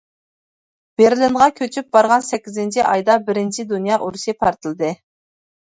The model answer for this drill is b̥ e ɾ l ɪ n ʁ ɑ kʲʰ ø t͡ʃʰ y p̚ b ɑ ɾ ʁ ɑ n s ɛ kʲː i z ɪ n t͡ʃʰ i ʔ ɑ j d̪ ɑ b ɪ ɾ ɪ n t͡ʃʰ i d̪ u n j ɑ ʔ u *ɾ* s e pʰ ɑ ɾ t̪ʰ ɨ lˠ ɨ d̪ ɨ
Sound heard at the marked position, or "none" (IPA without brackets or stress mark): ɾ